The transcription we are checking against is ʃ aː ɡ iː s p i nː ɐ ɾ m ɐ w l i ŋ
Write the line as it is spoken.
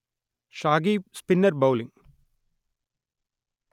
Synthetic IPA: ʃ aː ɡ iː s p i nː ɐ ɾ b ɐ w l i ŋ